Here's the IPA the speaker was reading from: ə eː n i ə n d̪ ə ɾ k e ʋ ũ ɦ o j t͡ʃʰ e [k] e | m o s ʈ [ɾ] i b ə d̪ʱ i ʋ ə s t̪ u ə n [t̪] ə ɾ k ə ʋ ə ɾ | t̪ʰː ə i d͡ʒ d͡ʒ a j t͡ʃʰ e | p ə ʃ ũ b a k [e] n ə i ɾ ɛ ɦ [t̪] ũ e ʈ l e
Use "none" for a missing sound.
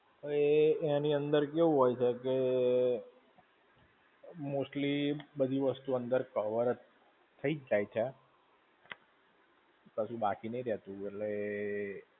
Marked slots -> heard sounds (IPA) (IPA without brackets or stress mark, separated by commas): k, l, d̪, i, t̪